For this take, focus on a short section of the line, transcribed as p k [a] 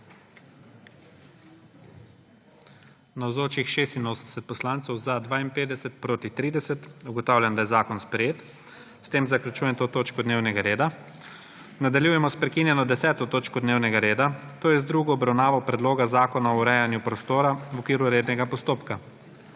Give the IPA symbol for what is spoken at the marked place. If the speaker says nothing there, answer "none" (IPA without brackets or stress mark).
a